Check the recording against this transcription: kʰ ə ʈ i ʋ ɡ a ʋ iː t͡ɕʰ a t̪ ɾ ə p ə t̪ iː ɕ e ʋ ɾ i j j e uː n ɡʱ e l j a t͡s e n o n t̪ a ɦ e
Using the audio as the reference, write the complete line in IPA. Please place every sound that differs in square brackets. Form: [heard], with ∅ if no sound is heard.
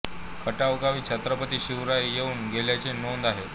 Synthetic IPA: kʰ ə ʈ [a] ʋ ɡ a ʋ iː t͡ɕʰ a t̪ ɾ ə p ə t̪ iː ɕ [i] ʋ ɾ [a] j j e uː n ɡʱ e l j a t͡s e n o n [d̪] a ɦ e